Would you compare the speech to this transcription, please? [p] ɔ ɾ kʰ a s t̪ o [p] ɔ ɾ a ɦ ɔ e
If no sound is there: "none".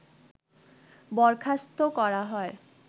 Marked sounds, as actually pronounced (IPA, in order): b, k

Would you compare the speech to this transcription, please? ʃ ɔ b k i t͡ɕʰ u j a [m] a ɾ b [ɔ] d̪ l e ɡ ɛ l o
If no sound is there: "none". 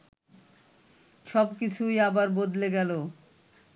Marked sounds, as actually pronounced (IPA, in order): b, o

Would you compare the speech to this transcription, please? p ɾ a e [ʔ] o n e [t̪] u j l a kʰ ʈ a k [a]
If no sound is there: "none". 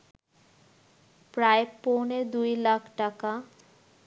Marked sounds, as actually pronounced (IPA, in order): p, d̪, a

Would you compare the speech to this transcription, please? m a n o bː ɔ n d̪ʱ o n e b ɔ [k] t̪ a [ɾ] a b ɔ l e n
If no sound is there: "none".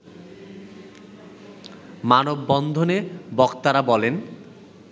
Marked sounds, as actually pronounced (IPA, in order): k, ɾ

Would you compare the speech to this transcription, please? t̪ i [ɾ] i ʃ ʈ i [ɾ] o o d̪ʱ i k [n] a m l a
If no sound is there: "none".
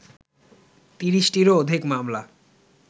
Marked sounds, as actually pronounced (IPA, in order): ɾ, ɾ, m

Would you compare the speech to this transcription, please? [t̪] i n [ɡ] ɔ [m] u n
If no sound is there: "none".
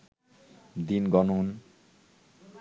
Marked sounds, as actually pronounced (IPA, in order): d̪, ɡ, n

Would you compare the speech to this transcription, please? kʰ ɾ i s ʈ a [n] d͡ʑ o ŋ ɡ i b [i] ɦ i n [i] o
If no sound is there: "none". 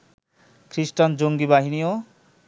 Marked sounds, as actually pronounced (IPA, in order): n, a, i

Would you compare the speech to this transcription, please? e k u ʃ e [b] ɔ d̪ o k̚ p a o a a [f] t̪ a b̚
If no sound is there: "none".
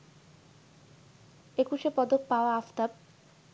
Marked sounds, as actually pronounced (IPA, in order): p, f

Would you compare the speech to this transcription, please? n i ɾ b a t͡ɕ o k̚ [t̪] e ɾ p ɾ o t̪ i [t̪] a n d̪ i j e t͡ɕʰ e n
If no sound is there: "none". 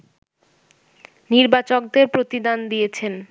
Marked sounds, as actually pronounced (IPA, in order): d̪, d̪

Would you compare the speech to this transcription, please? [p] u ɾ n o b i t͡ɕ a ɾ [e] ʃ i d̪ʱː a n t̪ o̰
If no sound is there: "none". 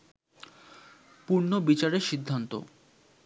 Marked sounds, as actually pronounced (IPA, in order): p, e

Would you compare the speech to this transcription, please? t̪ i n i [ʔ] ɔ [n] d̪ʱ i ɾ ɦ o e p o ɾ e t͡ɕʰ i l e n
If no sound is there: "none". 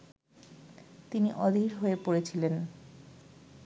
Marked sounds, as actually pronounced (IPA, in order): ʔ, none

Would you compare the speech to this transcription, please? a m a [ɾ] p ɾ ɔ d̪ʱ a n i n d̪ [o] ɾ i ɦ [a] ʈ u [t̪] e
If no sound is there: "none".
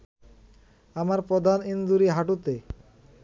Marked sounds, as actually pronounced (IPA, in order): ɾ, u, a, t̪

